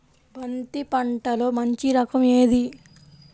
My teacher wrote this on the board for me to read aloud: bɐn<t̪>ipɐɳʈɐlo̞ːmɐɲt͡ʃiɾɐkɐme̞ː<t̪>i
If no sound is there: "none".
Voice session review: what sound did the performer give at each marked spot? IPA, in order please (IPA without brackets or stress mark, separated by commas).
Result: t̪, d̪